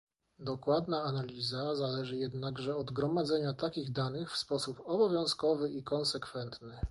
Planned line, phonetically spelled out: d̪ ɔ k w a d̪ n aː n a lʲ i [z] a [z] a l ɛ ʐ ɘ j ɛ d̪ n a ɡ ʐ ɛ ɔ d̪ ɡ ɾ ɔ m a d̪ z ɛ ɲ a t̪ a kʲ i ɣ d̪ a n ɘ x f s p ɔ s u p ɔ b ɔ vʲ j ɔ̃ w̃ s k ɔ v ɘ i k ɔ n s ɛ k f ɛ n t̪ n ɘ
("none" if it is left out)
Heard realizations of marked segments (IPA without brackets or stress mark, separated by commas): z, z